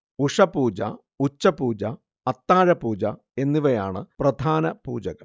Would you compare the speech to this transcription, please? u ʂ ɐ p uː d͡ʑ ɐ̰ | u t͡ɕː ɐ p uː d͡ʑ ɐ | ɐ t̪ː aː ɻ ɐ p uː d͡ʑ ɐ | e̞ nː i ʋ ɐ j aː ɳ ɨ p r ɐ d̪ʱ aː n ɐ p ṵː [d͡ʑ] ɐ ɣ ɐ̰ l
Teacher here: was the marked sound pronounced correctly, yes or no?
yes